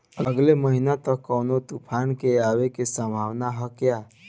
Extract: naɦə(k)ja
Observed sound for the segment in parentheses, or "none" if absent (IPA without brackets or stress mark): k